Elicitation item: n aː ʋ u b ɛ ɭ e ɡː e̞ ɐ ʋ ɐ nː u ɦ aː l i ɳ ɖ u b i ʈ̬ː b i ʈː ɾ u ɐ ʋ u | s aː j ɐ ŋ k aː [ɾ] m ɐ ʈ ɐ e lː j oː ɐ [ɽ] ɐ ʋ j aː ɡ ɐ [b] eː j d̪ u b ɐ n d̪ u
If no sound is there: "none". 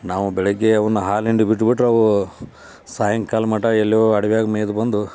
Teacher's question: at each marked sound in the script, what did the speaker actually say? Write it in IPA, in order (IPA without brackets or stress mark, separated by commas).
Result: l, ɽ, m